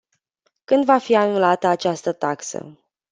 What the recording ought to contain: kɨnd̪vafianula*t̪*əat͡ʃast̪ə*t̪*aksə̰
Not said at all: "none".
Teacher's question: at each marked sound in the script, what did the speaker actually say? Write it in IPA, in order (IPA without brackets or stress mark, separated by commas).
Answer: t̪, t̪